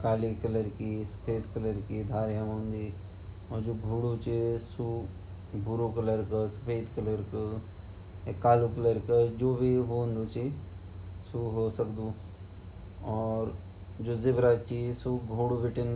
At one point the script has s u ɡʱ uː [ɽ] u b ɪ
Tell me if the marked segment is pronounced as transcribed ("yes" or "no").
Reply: yes